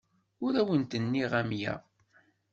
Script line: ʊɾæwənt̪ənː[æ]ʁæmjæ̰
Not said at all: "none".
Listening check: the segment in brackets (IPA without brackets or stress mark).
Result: i